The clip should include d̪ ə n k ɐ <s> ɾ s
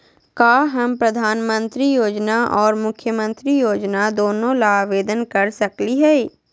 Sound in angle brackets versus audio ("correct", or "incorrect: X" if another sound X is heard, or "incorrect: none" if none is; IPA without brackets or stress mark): incorrect: none